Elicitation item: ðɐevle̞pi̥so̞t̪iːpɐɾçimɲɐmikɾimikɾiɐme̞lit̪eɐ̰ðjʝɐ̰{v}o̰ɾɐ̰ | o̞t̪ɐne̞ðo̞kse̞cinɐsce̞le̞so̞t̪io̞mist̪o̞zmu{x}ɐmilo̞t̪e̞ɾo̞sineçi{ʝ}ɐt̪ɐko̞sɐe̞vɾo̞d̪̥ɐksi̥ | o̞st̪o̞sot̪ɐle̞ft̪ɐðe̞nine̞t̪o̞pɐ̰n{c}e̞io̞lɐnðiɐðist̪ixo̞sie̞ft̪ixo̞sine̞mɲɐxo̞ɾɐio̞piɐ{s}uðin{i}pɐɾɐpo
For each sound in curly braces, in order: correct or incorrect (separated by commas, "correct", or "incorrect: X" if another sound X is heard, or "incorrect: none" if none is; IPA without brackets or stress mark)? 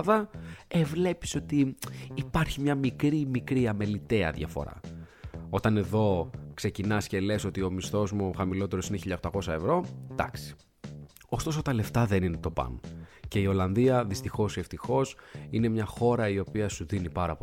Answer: incorrect: f, correct, incorrect: ʎ, correct, correct, correct